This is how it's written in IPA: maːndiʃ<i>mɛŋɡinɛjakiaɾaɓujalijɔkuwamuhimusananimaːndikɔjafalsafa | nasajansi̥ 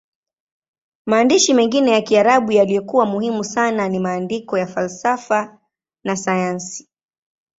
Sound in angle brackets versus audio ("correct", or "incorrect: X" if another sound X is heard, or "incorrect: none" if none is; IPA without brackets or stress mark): correct